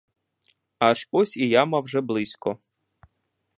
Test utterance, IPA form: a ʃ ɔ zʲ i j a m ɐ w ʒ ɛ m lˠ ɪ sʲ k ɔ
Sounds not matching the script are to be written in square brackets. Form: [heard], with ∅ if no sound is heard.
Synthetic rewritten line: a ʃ ɔ [sʲ] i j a m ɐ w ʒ ɛ [b] lˠ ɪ sʲ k ɔ